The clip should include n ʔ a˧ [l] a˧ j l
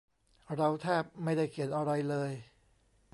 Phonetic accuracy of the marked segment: incorrect: ɾ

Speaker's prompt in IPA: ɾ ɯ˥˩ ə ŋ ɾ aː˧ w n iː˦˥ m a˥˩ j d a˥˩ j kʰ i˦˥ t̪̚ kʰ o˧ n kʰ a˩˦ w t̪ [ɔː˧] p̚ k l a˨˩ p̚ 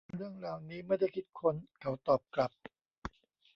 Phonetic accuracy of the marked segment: incorrect: ɔː˨˩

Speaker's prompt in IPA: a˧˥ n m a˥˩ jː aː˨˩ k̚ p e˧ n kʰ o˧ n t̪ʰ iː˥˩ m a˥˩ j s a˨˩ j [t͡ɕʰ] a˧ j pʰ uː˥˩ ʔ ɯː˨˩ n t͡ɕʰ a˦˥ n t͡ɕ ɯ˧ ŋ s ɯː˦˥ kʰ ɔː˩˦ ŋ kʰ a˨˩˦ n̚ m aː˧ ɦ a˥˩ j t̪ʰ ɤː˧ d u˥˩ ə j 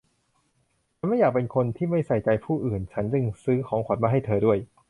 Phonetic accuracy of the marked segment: incorrect: t͡ɕ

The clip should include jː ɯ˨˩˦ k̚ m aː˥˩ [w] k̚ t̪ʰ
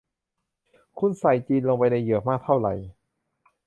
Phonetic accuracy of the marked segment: incorrect: none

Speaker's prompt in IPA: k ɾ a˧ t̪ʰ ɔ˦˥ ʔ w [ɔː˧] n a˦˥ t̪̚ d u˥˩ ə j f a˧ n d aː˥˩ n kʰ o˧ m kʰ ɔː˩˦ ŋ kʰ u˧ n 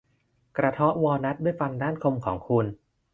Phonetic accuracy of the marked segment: correct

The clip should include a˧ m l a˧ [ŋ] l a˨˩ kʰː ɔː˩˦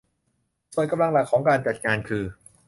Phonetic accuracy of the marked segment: correct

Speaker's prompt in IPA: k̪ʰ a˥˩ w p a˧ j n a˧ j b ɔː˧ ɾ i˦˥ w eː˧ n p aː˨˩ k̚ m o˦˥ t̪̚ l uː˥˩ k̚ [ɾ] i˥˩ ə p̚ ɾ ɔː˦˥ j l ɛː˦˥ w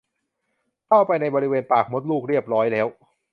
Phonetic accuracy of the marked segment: correct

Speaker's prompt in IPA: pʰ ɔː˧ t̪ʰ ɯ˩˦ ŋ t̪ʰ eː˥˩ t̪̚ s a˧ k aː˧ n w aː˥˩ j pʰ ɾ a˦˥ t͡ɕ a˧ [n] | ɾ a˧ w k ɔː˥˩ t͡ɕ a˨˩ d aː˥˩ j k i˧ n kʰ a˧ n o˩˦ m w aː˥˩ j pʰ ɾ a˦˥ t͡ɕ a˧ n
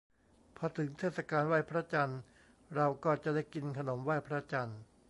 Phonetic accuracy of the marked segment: correct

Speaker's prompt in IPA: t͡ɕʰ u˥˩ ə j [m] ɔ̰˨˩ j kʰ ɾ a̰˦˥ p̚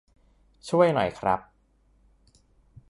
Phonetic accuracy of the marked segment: incorrect: n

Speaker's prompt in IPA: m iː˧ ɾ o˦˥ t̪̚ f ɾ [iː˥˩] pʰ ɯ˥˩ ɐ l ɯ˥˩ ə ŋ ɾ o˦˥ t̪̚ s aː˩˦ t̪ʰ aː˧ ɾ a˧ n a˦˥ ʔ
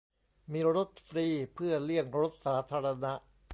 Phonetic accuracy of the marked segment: incorrect: iː˧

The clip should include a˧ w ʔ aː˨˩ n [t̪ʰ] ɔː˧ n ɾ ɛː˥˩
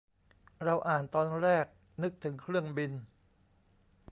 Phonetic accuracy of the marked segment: incorrect: t̪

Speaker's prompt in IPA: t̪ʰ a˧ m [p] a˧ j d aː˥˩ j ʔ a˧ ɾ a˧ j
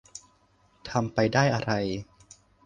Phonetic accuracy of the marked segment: correct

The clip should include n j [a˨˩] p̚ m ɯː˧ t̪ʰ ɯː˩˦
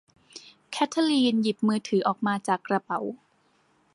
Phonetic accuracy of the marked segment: incorrect: i˨˩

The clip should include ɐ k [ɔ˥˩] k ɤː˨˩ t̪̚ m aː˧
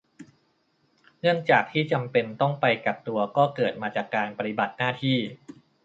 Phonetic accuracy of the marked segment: incorrect: ɔː˥˩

